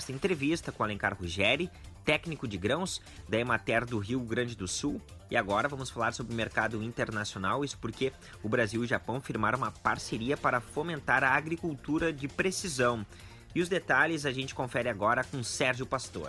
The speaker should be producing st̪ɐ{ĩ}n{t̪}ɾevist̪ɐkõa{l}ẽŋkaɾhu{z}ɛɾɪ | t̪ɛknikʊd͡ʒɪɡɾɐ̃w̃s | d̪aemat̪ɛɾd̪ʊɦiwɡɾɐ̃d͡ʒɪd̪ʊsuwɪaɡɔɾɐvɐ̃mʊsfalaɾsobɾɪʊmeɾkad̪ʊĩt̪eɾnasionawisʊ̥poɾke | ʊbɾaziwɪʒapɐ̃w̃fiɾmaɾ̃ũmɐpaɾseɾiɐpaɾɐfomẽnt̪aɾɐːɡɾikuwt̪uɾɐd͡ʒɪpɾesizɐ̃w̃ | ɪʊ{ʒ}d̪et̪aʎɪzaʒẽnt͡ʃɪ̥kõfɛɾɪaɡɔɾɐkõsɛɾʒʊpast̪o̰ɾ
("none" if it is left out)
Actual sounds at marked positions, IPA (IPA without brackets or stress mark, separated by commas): ẽ, t̪, l, ʒ, z